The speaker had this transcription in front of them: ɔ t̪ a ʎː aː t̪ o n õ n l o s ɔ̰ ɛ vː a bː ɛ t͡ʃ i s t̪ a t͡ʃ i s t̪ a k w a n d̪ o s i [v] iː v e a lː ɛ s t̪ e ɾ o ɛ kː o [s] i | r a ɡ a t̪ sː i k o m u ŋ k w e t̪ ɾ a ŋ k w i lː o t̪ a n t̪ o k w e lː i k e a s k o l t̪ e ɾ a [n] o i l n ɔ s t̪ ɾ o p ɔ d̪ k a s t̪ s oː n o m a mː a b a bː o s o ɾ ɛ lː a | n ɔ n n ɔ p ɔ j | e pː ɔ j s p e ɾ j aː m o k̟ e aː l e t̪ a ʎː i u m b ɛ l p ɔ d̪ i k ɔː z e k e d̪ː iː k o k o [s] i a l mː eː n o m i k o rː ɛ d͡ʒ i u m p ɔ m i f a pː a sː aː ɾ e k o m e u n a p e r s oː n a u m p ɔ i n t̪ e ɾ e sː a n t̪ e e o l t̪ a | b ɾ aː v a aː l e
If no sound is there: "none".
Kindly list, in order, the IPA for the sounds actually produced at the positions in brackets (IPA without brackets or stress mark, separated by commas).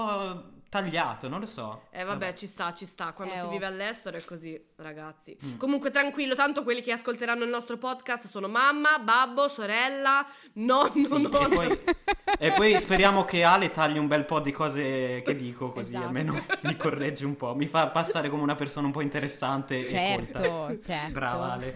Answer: v, z, nː, z